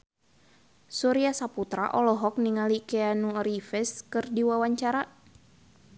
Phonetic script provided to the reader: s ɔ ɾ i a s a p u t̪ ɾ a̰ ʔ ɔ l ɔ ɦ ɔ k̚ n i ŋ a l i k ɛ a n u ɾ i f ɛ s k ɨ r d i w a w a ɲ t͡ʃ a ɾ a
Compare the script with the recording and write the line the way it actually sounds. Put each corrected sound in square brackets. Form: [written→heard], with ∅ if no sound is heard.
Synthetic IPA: s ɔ ɾ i a s a p u t̪ ɾ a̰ ʔ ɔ l ɔ ɦ ɔ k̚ n i ŋ a l i k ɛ a n u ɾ i f ɛ s k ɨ r d i w a w a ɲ t͡ʃ a ɾ a